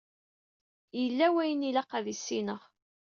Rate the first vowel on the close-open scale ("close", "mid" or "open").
mid